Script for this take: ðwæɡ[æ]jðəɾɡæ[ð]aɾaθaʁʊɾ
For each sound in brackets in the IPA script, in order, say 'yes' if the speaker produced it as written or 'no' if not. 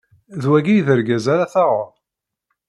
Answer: no, no

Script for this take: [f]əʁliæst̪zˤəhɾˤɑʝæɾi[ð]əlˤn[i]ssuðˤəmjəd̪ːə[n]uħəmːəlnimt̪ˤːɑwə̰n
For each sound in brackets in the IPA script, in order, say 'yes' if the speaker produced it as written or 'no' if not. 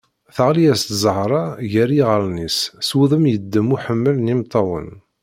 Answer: no, no, yes, no

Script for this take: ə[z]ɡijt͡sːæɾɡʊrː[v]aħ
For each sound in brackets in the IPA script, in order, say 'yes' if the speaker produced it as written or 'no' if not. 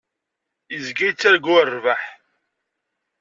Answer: yes, yes

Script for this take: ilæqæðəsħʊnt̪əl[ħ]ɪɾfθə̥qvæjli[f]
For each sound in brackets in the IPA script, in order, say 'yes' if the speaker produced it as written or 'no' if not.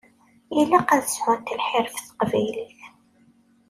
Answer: yes, no

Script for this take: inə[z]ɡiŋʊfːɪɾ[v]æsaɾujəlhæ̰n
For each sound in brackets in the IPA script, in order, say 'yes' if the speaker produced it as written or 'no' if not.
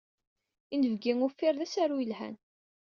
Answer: no, no

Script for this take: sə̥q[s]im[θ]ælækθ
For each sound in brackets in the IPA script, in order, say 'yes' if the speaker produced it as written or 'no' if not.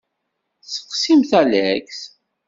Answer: yes, yes

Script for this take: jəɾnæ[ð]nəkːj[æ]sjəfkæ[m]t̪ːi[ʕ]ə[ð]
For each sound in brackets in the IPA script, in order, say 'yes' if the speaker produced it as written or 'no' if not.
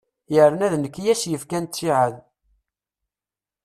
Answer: yes, yes, no, yes, yes

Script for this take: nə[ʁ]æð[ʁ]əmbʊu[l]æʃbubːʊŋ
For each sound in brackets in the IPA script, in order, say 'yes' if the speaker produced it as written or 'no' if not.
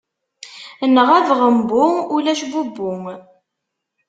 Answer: yes, yes, yes

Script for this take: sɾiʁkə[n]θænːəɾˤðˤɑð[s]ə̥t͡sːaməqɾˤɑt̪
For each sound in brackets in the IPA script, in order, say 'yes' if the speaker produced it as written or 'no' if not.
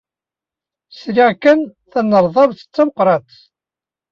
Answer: yes, no

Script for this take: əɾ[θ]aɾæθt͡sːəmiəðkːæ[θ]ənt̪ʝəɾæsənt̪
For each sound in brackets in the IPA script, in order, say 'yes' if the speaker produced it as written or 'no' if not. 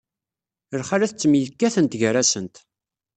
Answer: no, yes

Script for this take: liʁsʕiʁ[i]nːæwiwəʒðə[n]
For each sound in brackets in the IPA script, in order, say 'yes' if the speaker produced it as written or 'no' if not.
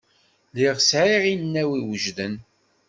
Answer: yes, yes

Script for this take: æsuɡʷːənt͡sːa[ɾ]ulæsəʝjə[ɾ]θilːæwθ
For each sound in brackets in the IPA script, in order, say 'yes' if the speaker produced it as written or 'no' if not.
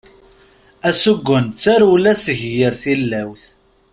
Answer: yes, yes

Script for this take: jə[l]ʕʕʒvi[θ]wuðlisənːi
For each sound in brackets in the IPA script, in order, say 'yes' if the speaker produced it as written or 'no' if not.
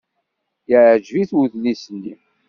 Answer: no, yes

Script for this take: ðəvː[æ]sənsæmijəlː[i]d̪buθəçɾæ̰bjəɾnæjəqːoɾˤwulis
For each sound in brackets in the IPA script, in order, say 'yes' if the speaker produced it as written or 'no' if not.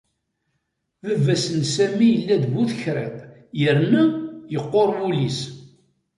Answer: yes, no

